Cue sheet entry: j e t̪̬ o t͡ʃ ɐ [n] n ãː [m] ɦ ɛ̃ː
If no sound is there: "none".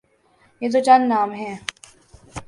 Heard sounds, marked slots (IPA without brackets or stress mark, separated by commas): n, m